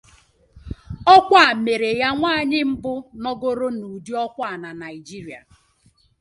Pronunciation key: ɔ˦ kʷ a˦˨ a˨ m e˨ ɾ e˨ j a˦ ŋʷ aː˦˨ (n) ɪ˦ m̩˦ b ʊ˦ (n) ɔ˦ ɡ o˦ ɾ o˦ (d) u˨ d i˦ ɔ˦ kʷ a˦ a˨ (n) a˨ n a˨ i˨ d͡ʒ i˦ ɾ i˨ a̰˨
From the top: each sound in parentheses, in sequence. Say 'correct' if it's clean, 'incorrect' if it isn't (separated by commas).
incorrect, correct, incorrect, correct